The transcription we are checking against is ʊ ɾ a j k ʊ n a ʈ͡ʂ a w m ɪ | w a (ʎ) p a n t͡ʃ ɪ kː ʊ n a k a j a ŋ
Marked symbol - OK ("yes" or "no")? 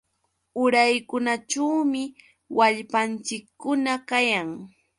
yes